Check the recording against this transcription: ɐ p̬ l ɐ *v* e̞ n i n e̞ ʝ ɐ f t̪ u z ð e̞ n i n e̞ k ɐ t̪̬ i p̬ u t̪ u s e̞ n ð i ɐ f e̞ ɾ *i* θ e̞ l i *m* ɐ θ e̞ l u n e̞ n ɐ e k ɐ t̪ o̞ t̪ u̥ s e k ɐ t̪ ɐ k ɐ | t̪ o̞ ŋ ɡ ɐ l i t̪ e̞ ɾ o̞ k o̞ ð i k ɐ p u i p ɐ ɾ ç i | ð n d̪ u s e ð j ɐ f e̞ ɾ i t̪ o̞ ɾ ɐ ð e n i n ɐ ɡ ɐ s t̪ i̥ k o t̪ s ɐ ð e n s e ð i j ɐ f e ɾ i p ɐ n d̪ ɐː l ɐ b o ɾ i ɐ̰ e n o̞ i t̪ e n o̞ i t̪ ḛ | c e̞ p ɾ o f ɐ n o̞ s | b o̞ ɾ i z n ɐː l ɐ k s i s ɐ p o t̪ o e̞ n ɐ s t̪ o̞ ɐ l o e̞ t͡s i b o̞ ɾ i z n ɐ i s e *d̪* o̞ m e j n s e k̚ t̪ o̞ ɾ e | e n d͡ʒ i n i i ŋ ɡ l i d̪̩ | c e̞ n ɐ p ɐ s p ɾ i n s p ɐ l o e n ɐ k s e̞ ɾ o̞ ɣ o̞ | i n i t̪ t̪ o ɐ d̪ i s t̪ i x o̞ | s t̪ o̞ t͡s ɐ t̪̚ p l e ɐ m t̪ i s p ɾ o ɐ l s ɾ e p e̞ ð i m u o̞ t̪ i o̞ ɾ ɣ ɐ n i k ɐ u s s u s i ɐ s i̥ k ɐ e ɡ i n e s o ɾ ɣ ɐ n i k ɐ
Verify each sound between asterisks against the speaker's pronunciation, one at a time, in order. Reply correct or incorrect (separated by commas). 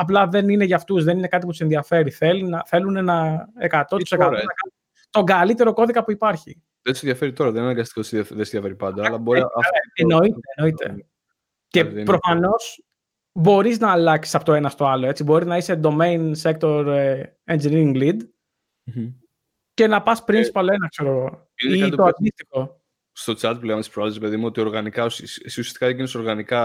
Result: incorrect, correct, incorrect, correct